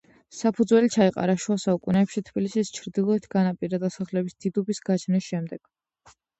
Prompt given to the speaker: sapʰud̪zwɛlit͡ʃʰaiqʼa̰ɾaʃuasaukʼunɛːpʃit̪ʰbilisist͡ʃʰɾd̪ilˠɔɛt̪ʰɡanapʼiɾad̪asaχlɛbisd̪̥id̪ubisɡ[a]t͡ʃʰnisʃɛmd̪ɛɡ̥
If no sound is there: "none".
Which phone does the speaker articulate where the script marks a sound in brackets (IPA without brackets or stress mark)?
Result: a